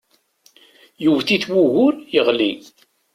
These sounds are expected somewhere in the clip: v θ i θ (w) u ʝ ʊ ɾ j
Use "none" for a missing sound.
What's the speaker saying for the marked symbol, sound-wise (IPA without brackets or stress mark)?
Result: w